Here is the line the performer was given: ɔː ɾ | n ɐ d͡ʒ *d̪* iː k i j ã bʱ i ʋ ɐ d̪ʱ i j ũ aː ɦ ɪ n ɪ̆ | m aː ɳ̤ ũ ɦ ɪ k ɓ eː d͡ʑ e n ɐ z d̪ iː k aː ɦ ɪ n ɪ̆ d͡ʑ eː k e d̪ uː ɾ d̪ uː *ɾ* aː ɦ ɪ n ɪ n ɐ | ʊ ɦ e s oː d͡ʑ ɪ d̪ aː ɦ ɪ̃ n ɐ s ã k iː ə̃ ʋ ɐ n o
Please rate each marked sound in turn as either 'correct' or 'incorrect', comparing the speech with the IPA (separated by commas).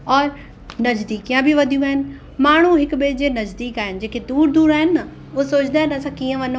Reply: correct, correct